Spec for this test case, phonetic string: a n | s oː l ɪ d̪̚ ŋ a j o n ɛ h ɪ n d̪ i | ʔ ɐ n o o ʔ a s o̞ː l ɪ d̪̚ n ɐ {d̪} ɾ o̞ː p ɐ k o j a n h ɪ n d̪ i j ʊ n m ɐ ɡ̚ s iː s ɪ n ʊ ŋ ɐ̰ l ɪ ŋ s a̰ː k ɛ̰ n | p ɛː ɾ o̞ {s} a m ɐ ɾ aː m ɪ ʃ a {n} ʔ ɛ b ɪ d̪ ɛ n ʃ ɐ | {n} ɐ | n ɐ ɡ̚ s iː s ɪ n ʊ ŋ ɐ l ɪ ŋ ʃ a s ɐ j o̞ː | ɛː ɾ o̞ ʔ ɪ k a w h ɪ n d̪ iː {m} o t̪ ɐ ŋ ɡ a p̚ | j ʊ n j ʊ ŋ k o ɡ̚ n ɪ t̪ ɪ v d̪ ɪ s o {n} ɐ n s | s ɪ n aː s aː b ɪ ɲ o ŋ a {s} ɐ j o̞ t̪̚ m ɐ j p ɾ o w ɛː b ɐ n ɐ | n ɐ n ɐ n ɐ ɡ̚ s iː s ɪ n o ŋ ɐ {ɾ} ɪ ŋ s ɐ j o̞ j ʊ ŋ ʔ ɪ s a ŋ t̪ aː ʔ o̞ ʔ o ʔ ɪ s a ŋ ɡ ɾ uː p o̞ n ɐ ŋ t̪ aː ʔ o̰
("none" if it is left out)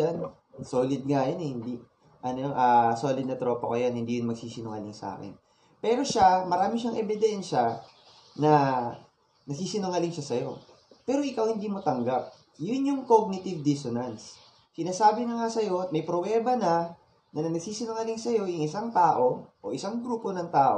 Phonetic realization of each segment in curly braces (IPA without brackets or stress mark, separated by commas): t̪, ʃ, ŋ, n, m, n, s, l